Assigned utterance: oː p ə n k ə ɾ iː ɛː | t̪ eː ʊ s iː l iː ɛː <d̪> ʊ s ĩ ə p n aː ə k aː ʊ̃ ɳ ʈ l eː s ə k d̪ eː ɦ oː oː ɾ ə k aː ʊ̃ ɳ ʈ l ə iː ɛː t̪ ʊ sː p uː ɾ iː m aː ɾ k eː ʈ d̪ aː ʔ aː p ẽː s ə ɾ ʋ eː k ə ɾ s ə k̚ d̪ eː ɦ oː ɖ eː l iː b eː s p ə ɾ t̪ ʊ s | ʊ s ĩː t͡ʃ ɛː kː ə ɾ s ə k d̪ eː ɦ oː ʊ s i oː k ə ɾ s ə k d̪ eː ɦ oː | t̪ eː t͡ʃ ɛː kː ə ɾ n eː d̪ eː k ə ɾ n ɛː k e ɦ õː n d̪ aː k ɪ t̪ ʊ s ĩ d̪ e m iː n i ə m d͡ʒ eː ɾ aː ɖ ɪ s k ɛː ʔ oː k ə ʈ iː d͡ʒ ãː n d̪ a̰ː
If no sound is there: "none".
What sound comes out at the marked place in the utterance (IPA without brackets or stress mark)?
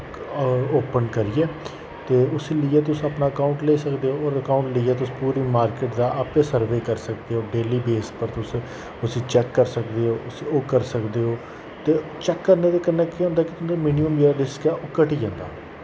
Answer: t̪